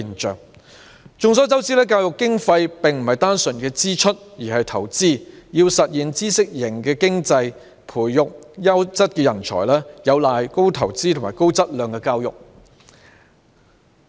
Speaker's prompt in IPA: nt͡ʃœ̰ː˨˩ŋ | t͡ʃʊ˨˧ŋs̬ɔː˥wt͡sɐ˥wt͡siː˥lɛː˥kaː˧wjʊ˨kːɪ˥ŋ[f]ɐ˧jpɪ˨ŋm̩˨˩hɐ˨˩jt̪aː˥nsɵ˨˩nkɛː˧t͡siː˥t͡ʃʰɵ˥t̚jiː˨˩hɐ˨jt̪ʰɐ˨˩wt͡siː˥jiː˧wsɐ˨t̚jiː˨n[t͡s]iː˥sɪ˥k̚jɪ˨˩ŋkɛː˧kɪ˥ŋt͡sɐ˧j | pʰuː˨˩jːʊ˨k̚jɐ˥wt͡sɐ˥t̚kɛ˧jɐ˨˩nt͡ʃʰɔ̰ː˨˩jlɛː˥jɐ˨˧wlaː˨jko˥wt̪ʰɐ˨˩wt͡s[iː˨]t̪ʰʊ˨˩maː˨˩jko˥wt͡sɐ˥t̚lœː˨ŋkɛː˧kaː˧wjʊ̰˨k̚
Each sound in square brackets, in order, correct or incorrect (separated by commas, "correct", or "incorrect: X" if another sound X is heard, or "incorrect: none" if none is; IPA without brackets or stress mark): correct, correct, incorrect: iː˥